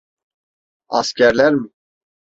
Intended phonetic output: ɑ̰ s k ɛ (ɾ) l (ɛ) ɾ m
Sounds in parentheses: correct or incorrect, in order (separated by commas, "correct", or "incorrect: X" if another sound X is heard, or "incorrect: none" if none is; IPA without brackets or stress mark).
correct, correct